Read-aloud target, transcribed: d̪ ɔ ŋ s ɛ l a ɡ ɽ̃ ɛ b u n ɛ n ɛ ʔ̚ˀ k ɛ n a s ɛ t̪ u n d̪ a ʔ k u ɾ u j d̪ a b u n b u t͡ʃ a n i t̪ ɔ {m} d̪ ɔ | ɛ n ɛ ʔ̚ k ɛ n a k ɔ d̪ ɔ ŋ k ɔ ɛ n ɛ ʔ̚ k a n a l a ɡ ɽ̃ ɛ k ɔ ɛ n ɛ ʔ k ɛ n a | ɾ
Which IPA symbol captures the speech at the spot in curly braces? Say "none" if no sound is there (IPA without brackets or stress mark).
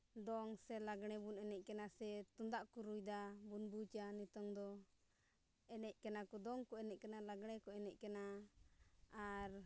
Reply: ŋ